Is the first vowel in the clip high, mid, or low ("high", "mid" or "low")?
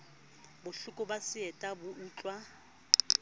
high